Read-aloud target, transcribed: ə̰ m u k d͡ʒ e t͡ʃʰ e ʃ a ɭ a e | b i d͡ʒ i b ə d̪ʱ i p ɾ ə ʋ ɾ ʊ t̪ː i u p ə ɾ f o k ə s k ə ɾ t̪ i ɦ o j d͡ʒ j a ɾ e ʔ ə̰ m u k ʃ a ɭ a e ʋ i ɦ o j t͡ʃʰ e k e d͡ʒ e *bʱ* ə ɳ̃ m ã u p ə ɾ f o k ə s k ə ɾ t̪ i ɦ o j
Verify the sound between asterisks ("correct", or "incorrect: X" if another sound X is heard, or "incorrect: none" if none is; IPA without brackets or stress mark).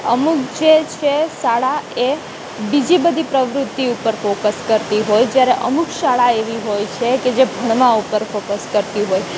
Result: correct